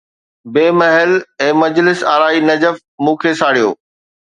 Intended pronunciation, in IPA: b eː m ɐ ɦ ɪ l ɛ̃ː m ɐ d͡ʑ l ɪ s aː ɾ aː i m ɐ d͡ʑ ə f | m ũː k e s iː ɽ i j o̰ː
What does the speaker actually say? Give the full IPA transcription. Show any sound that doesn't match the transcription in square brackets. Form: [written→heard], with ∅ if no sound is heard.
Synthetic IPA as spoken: b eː m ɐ ɦ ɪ l ɛ̃ː m ɐ d͡ʑ l ɪ s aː ɾ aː i [m→n] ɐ d͡ʑ ə f | m ũː [k→kʰ] e s [iː→aː] ɽ i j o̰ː